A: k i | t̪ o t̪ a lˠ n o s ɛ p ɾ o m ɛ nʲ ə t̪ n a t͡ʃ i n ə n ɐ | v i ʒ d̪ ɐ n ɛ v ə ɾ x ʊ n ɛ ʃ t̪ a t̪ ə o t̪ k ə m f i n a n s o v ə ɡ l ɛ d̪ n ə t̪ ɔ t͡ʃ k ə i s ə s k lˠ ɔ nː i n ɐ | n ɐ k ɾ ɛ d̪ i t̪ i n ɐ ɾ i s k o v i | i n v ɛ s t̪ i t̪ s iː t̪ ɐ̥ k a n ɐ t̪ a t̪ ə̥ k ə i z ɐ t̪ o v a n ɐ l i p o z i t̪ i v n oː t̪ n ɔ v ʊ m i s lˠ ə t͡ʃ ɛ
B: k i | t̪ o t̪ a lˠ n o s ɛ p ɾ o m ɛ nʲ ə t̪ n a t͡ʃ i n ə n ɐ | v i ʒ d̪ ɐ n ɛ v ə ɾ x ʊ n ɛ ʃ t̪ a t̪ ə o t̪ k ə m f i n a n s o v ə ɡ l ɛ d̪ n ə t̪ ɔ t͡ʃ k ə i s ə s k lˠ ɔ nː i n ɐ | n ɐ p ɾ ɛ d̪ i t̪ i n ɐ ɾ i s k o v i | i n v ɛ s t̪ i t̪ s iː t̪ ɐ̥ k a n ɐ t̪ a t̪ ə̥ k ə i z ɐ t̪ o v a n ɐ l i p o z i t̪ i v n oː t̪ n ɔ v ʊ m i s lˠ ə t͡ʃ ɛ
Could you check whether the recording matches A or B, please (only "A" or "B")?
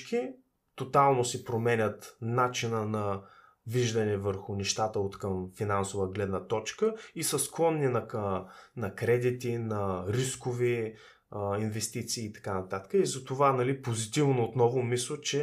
A